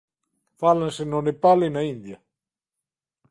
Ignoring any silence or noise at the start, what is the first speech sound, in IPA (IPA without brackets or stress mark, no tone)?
f